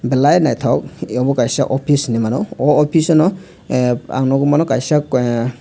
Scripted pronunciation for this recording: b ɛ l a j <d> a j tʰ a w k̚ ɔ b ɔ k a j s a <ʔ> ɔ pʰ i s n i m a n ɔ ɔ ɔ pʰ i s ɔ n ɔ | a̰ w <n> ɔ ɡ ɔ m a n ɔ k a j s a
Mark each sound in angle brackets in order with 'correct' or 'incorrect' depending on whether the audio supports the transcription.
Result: incorrect: n, correct, correct

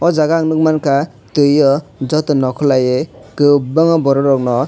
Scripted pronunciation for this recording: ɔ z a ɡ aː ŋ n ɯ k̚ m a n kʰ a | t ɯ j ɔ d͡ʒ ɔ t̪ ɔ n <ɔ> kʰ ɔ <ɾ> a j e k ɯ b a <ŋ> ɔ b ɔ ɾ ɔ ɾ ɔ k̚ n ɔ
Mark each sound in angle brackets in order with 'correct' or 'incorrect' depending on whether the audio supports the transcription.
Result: correct, incorrect: l, correct

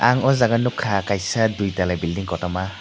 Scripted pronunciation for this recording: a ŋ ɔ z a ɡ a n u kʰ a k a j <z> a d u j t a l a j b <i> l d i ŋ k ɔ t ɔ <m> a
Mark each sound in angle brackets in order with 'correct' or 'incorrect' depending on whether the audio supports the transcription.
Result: incorrect: s, correct, correct

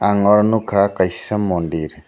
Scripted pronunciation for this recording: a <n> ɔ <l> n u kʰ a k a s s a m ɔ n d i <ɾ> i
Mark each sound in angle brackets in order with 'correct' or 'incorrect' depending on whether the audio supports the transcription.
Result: incorrect: ŋ, incorrect: ɾ, correct

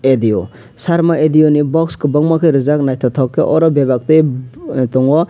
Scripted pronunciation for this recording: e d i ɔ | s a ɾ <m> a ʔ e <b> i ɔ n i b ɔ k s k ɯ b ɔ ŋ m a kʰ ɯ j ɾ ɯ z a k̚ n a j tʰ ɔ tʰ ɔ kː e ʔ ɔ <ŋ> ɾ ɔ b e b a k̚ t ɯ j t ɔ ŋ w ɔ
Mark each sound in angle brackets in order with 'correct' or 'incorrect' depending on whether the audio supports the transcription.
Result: correct, incorrect: d, incorrect: none

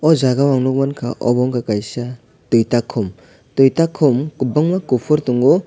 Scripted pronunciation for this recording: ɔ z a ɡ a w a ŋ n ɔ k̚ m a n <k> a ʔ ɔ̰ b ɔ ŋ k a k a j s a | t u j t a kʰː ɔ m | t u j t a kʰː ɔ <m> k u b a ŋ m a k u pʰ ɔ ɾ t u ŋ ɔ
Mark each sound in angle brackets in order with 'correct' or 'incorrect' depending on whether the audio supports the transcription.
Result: incorrect: kʰ, correct

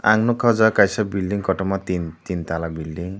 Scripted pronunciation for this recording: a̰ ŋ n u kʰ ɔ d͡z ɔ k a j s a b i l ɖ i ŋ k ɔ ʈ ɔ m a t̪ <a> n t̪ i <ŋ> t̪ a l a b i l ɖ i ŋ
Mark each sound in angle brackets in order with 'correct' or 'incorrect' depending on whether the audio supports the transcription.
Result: incorrect: i, incorrect: n

